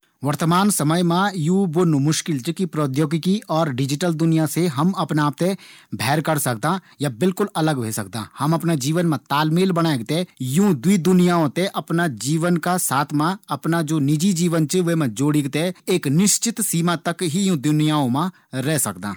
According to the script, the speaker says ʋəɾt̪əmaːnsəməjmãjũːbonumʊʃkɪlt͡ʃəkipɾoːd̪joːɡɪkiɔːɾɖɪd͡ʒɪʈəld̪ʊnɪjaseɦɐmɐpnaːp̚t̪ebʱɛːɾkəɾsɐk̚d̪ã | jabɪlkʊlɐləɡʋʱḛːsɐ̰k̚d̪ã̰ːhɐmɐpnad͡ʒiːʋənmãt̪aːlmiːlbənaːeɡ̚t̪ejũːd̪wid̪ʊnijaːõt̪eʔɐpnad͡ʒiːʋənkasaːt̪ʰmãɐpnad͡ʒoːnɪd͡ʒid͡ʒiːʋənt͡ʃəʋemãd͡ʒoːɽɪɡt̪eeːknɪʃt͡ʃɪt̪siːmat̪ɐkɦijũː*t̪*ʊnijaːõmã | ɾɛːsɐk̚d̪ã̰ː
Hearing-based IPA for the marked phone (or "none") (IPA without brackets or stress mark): d̪